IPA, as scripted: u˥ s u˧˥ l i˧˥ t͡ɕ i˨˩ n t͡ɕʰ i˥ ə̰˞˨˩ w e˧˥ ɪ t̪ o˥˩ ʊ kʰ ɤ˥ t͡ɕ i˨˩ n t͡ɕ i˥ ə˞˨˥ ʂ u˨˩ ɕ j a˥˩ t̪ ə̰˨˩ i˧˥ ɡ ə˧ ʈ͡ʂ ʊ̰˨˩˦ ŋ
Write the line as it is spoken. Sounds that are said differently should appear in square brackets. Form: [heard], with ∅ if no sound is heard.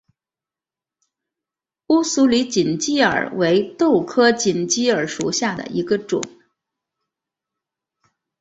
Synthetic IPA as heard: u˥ s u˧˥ l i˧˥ t͡ɕ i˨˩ n [t͡ɕ] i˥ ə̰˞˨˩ w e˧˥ ɪ t̪ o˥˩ ʊ kʰ ɤ˥ t͡ɕ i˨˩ n t͡ɕ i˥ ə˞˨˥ ʂ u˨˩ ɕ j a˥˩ [d̪] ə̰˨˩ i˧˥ ɡ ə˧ ʈ͡ʂ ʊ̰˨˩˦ ŋ